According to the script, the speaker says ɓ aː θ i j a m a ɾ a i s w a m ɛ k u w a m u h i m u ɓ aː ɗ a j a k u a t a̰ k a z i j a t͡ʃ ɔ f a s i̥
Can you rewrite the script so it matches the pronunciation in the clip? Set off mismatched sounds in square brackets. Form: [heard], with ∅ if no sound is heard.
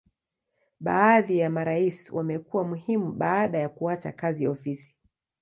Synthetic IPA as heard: ɓ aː [ð] i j a m a ɾ a i s w a m ɛ k u w a m u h i m u ɓ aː ɗ a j a k u a [t͡ʃ] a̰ k a z i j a [∅] ɔ f [i] s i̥